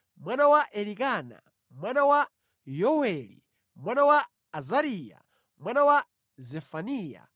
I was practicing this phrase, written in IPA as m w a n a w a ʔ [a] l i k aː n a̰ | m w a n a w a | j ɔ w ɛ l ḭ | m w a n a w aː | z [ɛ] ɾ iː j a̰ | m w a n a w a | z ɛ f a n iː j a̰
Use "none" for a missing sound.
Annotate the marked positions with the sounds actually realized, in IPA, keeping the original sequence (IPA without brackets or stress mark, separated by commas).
ɛ, a